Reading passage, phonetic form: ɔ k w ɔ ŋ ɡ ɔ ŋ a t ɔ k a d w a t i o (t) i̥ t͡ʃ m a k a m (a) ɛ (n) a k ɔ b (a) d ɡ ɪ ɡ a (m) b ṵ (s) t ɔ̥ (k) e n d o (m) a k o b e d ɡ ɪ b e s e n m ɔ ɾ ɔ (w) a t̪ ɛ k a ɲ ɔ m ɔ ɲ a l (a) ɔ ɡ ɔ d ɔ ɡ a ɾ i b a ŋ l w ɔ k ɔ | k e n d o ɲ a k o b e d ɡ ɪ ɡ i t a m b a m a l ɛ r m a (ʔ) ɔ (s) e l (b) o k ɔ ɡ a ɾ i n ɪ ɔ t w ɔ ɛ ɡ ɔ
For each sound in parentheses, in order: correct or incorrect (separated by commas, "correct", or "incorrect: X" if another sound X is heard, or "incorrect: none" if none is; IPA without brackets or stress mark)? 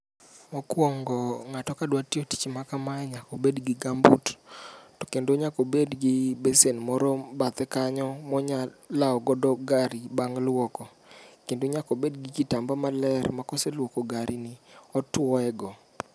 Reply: correct, correct, incorrect: ɲ, incorrect: e, correct, incorrect: t, correct, incorrect: ɲ, incorrect: b, correct, incorrect: k, correct, incorrect: w